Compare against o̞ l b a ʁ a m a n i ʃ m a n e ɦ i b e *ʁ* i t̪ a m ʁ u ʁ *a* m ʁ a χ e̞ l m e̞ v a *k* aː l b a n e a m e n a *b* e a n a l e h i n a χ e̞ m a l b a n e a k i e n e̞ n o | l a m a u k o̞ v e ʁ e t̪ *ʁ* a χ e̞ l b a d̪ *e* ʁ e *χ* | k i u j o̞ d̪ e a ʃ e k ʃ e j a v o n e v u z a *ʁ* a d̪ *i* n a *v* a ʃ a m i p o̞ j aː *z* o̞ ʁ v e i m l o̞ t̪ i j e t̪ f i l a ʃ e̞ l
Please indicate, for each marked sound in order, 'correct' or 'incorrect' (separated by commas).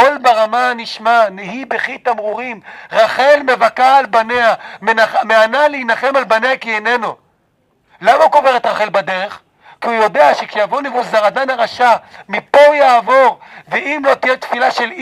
incorrect, incorrect, correct, incorrect, correct, correct, correct, correct, incorrect, incorrect, incorrect